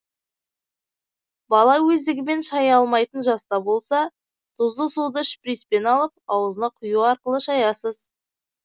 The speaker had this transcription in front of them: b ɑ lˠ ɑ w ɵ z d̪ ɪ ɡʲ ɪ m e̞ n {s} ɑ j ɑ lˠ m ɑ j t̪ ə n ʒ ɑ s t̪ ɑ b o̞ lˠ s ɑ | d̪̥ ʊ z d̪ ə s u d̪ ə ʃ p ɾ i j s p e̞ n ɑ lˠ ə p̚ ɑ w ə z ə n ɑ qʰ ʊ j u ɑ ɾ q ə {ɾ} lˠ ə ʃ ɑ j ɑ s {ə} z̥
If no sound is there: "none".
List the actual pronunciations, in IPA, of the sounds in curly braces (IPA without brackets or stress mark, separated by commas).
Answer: ʃ, none, ə